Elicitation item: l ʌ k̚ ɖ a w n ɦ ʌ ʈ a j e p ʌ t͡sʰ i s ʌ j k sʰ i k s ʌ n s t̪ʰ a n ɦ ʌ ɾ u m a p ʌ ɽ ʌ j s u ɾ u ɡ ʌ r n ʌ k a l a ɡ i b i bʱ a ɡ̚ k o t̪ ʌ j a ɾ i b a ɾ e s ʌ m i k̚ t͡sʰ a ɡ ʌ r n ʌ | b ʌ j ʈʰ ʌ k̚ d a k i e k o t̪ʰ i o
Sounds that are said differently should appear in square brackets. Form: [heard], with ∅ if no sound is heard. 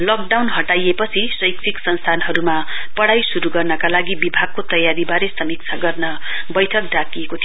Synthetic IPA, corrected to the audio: l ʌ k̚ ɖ a w n ɦ ʌ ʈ a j e p ʌ t͡sʰ i s ʌ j k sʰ i k s ʌ n s t̪ʰ a n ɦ ʌ ɾ u m a p ʌ ɽ [a] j s u ɾ u ɡ ʌ r n ʌ k a l a ɡ i b i bʱ a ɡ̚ k o t̪ ʌ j a ɾ i b a ɾ e s ʌ m i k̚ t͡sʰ a ɡ ʌ r n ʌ | b ʌ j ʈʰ ʌ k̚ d a k i e k o t̪ʰ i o